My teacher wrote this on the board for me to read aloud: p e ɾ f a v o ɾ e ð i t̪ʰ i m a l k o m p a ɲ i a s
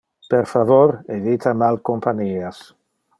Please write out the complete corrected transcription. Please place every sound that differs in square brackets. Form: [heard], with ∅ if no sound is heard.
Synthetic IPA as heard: p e ɾ f a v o ɾ e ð i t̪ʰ [a] m a l k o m p a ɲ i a s